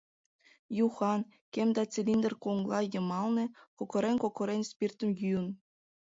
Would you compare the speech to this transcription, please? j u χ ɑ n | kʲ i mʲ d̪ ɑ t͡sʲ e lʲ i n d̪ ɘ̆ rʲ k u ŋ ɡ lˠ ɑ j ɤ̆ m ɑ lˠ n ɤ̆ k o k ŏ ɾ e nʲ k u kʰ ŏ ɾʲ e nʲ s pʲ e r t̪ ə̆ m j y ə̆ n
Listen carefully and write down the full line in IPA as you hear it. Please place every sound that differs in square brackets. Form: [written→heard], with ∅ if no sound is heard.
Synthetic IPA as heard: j u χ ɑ n | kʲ [i→e] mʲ d̪ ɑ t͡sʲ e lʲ i n d̪ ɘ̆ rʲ k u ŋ ɡ lˠ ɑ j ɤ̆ m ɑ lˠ n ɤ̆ k o k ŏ ɾ e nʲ k [u→o] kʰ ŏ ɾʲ e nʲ s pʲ [e→i] r t̪ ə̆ m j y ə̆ n